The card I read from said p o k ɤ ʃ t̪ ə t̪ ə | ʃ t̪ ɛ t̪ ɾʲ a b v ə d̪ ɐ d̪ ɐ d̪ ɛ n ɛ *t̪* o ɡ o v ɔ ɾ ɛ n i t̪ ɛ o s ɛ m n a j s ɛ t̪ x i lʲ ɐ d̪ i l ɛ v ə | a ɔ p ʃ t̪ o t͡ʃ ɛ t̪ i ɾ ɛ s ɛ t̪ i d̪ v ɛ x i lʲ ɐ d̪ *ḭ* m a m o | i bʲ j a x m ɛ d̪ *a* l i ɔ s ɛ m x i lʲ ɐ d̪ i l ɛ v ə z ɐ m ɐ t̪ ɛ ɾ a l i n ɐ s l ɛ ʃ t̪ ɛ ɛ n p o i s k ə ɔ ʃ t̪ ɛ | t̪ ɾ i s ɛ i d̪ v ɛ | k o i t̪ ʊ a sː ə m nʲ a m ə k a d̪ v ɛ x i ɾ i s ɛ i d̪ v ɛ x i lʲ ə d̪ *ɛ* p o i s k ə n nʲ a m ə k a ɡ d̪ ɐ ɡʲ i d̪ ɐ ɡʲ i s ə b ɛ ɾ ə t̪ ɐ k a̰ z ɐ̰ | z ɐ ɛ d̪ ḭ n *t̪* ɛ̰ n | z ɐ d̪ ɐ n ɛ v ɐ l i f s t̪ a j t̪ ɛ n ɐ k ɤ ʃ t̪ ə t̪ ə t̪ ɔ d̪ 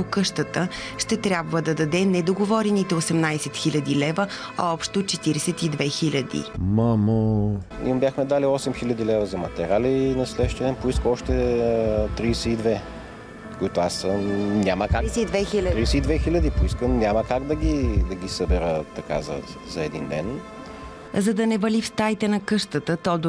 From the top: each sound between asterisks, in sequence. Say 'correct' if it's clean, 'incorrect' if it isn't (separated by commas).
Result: incorrect, correct, correct, incorrect, incorrect